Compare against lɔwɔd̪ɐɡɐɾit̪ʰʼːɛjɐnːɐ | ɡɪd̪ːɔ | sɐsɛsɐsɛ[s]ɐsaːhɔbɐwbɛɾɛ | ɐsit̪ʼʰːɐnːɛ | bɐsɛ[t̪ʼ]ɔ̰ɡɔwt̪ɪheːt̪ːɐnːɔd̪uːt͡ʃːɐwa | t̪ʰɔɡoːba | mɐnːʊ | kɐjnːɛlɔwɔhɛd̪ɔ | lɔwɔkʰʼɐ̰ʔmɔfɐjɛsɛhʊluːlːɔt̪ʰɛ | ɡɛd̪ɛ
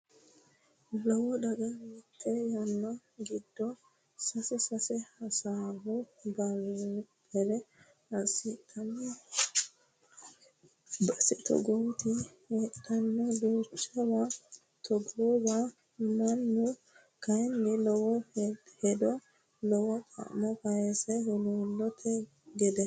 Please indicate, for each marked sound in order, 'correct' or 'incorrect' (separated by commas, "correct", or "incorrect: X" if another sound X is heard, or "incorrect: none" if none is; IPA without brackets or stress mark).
incorrect: h, incorrect: t̪